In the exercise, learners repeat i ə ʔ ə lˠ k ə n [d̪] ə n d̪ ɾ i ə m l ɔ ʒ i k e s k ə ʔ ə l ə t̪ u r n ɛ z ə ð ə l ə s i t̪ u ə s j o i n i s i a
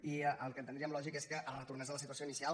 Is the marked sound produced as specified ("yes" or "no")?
no